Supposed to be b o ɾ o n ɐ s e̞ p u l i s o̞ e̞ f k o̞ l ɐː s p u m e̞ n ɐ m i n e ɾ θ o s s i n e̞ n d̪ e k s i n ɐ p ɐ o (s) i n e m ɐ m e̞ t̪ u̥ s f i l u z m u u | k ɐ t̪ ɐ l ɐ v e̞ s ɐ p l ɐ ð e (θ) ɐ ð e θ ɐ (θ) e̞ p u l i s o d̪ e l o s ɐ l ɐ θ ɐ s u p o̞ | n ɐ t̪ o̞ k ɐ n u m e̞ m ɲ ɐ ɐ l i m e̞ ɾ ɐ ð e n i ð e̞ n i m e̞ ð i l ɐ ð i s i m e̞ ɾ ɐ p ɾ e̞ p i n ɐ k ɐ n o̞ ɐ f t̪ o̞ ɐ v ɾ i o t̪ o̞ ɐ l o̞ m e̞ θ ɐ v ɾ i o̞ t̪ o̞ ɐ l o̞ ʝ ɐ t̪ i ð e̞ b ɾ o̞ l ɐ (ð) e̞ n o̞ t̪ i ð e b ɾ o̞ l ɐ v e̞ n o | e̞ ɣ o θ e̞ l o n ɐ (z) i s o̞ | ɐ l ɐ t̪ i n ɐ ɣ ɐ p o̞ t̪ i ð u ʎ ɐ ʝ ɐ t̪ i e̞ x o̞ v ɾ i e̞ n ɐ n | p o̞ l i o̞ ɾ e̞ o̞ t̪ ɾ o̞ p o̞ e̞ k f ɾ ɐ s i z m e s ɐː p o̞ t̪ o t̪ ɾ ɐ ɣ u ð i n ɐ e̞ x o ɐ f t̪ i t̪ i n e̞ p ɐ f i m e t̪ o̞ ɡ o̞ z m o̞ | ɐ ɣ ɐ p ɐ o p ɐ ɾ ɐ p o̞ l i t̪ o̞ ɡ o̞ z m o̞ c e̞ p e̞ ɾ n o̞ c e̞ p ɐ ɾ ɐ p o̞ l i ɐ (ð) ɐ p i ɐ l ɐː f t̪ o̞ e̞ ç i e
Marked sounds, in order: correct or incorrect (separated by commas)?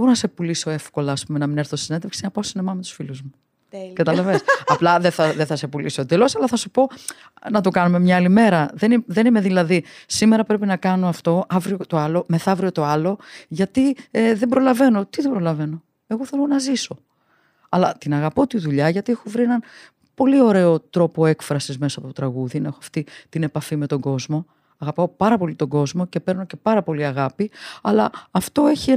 correct, correct, incorrect, incorrect, correct, incorrect